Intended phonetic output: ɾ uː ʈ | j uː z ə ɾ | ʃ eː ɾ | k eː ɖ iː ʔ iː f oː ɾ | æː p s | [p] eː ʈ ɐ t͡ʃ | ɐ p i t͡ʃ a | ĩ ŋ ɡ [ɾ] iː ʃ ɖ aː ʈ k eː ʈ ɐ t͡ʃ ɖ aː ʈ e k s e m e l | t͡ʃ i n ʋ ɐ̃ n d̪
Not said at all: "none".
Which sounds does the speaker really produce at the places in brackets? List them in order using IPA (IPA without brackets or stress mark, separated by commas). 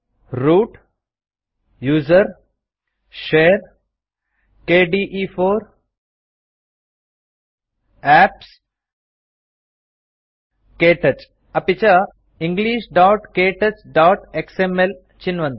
k, l